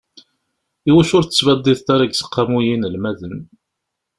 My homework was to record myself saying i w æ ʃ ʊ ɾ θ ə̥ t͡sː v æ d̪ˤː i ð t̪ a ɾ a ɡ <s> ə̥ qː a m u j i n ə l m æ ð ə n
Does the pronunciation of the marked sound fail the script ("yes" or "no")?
no